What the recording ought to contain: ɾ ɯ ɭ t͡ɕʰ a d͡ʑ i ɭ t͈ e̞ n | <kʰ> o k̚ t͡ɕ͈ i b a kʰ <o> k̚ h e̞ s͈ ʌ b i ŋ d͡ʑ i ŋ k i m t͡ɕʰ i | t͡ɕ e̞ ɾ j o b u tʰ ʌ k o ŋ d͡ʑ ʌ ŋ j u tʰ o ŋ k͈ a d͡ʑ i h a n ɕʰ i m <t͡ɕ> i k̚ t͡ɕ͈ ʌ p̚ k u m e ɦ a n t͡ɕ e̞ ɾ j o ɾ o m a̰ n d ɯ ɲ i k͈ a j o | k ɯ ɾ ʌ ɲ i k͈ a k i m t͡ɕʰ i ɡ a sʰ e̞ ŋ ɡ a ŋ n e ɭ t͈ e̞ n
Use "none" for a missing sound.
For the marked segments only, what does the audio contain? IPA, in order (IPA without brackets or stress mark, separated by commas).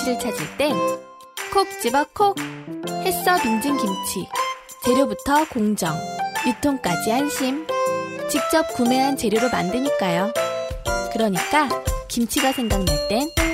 kʰ, o, t͡ɕ